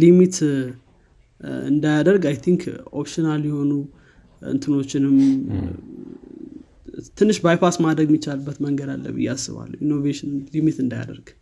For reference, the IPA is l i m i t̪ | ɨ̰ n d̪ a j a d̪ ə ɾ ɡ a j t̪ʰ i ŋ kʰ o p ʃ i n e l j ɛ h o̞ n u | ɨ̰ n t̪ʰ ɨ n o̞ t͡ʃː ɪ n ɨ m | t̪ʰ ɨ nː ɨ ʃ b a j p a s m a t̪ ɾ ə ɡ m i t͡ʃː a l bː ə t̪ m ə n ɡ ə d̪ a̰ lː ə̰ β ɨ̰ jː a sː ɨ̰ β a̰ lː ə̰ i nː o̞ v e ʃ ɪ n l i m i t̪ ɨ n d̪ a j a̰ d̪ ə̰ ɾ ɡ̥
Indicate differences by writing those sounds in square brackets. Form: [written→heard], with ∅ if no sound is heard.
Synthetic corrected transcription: l i m i t̪ | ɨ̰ n d̪ a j a d̪ ə ɾ ɡ a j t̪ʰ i ŋ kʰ o p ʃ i n [e→a] l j ɛ h o̞ n u | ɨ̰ n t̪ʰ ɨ n o̞ t͡ʃː ɪ n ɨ m | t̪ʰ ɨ nː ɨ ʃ b a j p a s m a [t̪→d̪] ɾ ə ɡ m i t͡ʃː a l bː ə t̪ m ə [n→ŋ] ɡ ə d̪ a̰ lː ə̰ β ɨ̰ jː a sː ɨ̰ β a̰ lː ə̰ i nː o̞ v e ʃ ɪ n l i m i t̪ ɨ n d̪ a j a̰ d̪ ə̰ ɾ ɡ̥